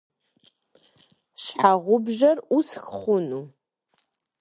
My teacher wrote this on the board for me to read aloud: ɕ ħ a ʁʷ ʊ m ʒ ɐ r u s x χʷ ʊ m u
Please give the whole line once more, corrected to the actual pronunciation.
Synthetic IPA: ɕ ħ a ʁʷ ʊ b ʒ ɐ r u s x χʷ ʊ n u